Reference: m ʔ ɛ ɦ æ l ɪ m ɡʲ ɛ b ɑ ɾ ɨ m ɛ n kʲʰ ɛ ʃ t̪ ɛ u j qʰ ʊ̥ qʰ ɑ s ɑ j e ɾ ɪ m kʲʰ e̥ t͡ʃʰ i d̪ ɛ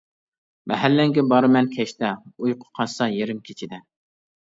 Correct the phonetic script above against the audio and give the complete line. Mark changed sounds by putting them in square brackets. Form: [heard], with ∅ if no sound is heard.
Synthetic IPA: m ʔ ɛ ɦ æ [lː] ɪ [ŋ] ɡʲ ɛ b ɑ ɾ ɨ m ɛ n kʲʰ ɛ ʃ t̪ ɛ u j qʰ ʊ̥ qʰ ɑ s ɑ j e ɾ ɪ m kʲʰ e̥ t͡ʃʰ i d̪ ɛ